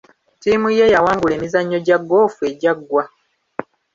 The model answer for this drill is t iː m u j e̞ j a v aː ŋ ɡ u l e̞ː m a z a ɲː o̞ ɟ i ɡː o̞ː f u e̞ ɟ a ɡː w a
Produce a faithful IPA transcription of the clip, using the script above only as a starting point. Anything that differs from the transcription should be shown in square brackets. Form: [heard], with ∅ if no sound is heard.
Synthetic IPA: t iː m u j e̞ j a [w] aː ŋ ɡ u l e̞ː m [i] z a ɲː o̞ ɟ [a] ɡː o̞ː f u e̞ ɟ a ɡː w a